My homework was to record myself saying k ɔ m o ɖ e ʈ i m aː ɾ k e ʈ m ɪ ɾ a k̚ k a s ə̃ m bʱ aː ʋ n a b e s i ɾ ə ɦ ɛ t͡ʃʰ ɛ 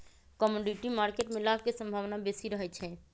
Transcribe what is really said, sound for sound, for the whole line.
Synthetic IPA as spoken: k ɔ m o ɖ i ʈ i m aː ɾ k e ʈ m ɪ l a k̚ k e s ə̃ m bʱ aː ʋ n a b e s i ɾ ə ɦ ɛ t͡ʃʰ ɛ